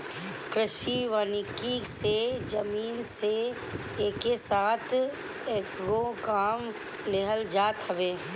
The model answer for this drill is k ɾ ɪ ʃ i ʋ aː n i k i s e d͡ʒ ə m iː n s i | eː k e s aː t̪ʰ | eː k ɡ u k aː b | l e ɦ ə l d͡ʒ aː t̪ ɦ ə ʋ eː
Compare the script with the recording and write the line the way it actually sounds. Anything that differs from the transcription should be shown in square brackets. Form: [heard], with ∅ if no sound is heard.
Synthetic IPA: k ɾ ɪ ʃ i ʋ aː n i k i s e d͡ʒ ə m iː n s [e] | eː k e s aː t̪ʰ | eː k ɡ [o] k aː [m] | l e ɦ ə l d͡ʒ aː t̪ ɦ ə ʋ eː

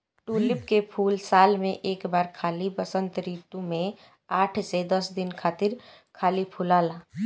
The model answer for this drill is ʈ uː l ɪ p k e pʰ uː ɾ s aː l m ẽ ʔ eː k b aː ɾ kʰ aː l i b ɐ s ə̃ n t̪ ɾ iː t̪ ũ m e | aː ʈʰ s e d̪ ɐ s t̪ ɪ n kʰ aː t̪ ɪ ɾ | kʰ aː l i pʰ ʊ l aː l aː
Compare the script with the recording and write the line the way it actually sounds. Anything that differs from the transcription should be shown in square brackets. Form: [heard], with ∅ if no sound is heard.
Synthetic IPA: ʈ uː l ɪ p k e pʰ uː [l] s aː l m ẽ ʔ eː k b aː ɾ kʰ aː l i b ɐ s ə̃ n t̪ ɾ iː t̪ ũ m [ẽ] | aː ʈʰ s e d̪ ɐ s [d̪] ɪ n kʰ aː t̪ ɪ ɾ | kʰ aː l i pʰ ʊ l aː l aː

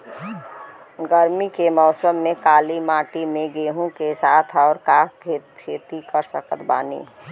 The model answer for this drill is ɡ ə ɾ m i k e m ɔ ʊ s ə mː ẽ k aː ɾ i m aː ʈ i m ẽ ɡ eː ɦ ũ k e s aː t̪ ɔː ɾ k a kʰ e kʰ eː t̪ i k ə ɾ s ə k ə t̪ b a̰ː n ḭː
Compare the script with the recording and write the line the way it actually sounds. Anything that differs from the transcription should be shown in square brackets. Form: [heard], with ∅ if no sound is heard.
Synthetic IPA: ɡ ə ɾ m i k e m ɔ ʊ s ə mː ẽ k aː [l] i m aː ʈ i m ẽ ɡ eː ɦ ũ k e s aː [t̪ʰ] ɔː ɾ k a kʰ e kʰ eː t̪ i k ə ɾ s ə k ə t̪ b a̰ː n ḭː

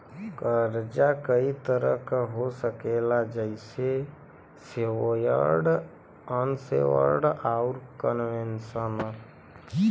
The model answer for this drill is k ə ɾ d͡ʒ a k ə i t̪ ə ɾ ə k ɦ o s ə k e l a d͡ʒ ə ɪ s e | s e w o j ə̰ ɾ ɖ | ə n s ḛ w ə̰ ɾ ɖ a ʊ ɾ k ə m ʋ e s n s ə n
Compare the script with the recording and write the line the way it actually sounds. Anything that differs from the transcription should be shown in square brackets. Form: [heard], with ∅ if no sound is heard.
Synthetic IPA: k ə ɾ d͡ʒ a k ə i t̪ ə ɾ ə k ɦ o s ə k e l a d͡ʒ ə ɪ s e | s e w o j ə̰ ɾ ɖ | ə n s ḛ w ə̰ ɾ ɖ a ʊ ɾ k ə [n] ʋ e [∅] n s ə n

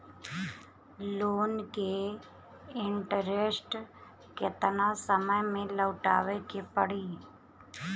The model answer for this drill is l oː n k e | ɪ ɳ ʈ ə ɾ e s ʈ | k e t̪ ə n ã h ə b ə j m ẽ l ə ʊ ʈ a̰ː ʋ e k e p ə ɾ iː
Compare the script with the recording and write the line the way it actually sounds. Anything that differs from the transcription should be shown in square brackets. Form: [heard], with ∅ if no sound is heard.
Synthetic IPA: l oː n k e | ɪ ɳ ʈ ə ɾ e s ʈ | k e t̪ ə n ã [s] ə [m] ə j m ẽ l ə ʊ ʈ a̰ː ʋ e k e p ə [ɽ] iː

